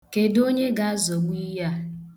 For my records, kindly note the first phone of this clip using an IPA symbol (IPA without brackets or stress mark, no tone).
k